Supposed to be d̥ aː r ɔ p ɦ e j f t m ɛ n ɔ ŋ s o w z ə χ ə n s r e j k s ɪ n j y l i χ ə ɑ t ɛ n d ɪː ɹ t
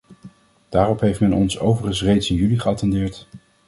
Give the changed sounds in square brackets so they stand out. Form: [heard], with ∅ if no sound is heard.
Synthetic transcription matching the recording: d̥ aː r ɔ p ɦ e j f t m ɛ n ɔ [n] s o w [v] ə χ ə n s r e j [t] s ɪ n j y l i χ ə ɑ t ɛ n d ɪː ɹ t